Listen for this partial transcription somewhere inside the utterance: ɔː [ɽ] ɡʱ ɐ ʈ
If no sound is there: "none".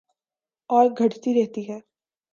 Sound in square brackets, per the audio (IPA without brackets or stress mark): ɾ